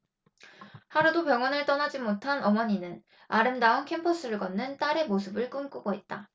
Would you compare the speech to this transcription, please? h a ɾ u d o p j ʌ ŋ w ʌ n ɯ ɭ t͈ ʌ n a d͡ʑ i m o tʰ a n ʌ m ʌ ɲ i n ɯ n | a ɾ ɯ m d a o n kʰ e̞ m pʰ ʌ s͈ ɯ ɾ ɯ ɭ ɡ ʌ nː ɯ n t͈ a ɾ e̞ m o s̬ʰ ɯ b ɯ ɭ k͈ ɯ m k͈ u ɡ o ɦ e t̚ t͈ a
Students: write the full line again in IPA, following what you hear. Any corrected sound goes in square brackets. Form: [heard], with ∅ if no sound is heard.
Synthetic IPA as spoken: h a ɾ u d o p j ʌ ŋ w ʌ n ɯ ɭ t͈ ʌ n a d͡ʑ i m o tʰ a n ʌ m ʌ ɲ i n ɯ n | a ɾ ɯ m d a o n kʰ e̞ m pʰ ʌ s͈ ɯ ɾ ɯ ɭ ɡ ʌ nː ɯ n t͈ a ɾ e̞ m o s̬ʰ ɯ b ɯ ɭ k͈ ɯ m k͈ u ɡ o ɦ e t̚ t͈ a